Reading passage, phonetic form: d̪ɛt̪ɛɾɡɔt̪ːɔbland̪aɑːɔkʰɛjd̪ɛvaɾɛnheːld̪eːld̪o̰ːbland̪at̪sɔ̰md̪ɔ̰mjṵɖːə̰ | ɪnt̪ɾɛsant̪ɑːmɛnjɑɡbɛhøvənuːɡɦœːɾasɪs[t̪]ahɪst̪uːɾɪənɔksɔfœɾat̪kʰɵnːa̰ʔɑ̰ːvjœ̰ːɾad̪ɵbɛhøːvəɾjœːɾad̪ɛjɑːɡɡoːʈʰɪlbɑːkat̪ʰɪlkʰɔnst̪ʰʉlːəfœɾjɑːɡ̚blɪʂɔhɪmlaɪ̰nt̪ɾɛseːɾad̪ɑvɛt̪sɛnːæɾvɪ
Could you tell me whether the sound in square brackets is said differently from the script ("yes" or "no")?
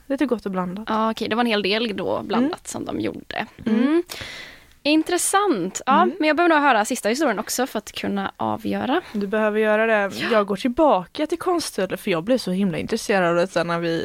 no